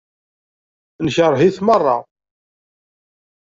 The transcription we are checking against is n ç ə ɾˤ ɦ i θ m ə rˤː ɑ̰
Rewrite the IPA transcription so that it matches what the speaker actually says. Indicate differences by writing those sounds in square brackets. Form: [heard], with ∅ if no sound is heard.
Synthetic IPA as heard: n ç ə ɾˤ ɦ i θ m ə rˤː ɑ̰